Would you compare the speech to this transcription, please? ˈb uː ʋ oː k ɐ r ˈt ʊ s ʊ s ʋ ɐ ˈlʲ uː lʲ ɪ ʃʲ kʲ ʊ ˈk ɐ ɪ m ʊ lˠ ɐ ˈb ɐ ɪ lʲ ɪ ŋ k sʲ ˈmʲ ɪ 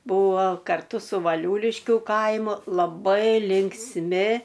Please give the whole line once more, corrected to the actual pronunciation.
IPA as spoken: ˈb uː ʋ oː k ɐ r ˈt ʊ s ʊ ʋ ɐ ˈlʲ uː lʲ ɪ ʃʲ kʲ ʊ ˈk ɐ ɪ m ʊ lˠ ɐ ˈb ɐ ɪ lʲ ɪ ŋ k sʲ ˈmʲ ɪ